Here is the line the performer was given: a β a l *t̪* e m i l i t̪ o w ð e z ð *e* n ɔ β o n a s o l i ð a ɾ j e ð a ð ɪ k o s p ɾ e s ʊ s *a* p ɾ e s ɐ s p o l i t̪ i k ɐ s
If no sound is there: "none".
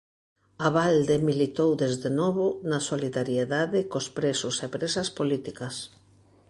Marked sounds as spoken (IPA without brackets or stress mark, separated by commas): d̪, e, e